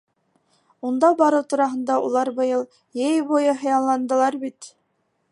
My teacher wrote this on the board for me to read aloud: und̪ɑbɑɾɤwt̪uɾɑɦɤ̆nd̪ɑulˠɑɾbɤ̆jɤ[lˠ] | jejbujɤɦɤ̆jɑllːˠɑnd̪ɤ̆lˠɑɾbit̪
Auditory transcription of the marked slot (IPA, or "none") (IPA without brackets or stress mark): lˠ